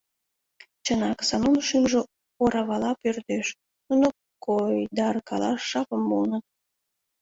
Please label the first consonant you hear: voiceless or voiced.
voiceless